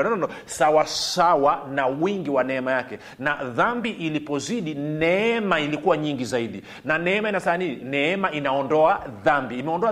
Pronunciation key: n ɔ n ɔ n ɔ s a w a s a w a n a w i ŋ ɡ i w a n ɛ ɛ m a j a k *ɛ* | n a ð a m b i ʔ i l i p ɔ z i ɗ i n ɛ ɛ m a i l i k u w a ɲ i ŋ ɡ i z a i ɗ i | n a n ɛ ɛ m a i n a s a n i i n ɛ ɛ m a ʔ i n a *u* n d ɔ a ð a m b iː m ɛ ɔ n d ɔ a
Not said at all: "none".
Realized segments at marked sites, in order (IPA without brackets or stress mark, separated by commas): ɛ, ɔ